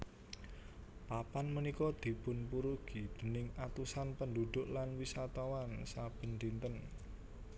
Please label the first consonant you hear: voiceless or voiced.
voiceless